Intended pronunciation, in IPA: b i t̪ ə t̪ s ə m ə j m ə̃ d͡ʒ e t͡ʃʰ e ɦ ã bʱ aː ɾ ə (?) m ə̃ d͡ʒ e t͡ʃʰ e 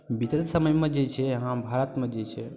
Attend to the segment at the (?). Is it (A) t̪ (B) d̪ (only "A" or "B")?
A